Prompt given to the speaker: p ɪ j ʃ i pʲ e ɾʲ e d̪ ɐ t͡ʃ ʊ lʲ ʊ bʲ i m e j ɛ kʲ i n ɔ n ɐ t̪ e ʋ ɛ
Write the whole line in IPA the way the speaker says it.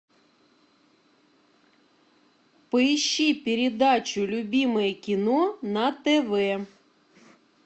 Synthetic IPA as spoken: p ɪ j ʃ i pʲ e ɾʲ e d̪ ɑ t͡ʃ ʊ lʲ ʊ bʲ i m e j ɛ kʲ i n ɔ n ɐ t̪ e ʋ ɛ